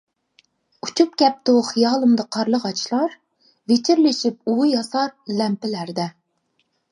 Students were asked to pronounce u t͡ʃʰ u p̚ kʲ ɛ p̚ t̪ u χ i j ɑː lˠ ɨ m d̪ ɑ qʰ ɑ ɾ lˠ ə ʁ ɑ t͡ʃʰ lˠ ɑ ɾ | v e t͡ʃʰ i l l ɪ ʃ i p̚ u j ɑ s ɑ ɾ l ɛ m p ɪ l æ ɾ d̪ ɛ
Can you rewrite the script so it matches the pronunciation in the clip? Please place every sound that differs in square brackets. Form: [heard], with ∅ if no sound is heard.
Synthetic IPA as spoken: u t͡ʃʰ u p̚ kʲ ɛ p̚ t̪ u χ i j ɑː lˠ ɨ m d̪ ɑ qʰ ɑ ɾ lˠ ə ʁ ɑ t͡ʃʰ lˠ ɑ ɾ | v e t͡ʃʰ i [ɾ] l ɪ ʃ i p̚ u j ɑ s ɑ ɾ l ɛ m p ɪ l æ ɾ d̪ ɛ